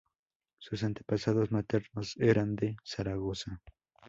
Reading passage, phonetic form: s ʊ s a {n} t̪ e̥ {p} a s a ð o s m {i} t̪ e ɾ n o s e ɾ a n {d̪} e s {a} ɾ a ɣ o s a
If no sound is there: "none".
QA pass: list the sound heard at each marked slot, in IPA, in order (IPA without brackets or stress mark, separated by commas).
n, p, a, d̪, a